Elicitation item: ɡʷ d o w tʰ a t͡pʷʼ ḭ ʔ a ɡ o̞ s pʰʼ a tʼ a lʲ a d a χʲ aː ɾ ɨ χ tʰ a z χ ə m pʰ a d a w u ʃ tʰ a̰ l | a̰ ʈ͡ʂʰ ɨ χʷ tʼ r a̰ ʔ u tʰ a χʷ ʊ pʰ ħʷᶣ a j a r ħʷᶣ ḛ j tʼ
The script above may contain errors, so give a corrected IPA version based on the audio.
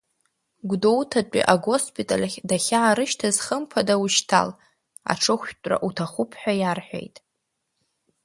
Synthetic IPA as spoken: ɡʷ d o w tʰ a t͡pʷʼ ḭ ʔ a ɡ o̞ s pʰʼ i tʼ a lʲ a d a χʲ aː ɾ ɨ ʃ tʰ a z χ ə m pʰ a d a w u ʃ tʰ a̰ l | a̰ ʈ͡ʂʰ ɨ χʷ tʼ r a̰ ʔ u tʰ a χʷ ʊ pʰ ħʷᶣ a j a r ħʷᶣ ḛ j tʼ